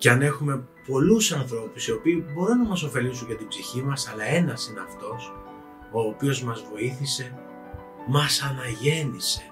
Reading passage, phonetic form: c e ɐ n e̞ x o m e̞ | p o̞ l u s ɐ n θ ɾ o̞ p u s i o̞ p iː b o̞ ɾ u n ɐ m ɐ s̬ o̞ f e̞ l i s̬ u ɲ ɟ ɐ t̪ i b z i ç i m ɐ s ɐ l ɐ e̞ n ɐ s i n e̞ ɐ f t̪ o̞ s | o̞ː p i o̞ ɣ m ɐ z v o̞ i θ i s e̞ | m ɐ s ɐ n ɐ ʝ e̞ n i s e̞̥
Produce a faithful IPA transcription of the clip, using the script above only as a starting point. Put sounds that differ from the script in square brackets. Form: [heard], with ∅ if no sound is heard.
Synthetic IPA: c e ɐ n e̞ x [u] m e̞ | p o̞ l u s ɐ n θ ɾ o̞ p u s i o̞ p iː b o̞ ɾ u n ɐ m ɐ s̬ o̞ f e̞ l i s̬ u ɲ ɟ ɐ t̪ i b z i ç i m ɐ s ɐ l ɐ e̞ n ɐ s i n e̞ ɐ f t̪ o̞ s | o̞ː p i o̞ [z] m ɐ z v o̞ i θ i s e̞ | m ɐ s ɐ n ɐ ʝ e̞ n i s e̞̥